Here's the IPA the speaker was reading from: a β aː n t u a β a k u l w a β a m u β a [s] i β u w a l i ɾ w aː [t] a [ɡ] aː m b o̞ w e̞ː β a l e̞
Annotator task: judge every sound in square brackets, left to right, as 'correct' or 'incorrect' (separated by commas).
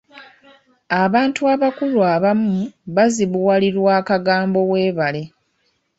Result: incorrect, incorrect, correct